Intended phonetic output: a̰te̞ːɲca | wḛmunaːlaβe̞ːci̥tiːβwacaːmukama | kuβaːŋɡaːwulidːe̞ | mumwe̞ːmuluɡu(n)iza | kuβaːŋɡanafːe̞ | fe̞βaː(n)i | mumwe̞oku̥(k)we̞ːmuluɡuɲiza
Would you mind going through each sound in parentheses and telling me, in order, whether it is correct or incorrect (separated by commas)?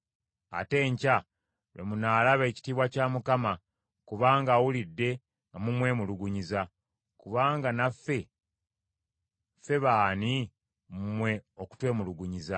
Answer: incorrect, correct, incorrect